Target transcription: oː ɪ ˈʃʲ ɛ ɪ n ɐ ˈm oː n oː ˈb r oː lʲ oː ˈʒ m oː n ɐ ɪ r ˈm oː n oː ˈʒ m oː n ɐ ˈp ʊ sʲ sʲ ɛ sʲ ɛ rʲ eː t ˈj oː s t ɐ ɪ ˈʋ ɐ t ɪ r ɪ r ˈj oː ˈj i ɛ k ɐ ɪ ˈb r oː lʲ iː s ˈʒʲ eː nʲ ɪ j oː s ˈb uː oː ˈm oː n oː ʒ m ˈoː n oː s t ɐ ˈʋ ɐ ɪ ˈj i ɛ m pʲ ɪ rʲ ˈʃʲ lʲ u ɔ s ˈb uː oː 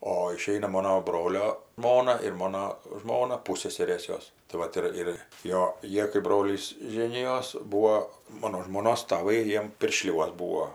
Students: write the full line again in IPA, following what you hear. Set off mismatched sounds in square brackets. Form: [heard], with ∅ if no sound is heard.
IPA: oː ɪ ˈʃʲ ɛ ɪ n ɐ ˈm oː n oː ˈb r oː lʲ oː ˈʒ m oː n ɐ ɪ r ˈm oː n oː ˈʒ m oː n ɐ ˈp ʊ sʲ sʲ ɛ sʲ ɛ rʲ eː [s] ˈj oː s t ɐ ɪ ˈʋ ɐ t ɪ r ɪ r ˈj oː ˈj i ɛ k ɐ ɪ ˈb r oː lʲ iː s ˈʒʲ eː nʲ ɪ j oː s ˈb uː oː ˈm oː n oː ʒ m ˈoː n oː s t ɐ ˈʋ ɐ ɪ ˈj i ɛ m pʲ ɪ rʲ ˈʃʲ lʲ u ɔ s ˈb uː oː